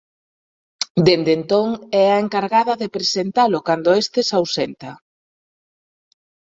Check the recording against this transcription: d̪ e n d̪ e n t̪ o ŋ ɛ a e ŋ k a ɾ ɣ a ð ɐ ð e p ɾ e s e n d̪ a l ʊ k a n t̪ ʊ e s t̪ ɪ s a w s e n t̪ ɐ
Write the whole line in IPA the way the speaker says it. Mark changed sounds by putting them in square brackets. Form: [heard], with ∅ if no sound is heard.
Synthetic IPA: d̪ e n d̪ e n t̪ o ŋ ɛ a e ŋ k a ɾ ɣ a ð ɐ ð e p ɾ e s e n [t̪] a l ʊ k a n [d̪] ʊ e s t̪ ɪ s a w s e n t̪ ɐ